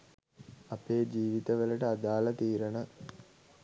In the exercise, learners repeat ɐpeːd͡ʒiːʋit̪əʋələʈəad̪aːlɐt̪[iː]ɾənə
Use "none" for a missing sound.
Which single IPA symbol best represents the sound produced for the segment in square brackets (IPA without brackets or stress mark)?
iː